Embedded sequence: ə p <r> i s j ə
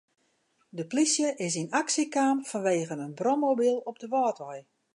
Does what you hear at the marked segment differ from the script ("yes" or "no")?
yes